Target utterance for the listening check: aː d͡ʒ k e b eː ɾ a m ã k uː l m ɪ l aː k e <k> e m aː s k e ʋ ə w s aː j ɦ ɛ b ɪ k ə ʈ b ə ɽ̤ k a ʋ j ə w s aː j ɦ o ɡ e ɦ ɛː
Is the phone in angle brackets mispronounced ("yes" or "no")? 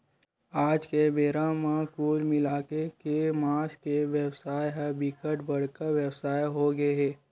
no